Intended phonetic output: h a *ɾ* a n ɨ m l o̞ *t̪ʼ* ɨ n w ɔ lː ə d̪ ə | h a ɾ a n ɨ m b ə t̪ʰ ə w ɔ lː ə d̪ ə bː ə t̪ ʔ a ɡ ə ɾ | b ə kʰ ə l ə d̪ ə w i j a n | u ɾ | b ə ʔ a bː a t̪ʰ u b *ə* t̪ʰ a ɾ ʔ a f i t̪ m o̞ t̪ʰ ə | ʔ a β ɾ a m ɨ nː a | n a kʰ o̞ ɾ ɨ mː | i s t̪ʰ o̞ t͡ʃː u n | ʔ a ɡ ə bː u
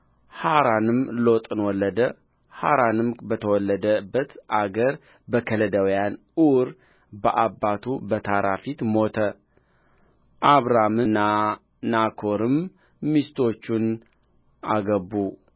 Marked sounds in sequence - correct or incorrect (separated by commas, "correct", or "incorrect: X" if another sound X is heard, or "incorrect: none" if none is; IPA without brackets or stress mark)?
correct, correct, correct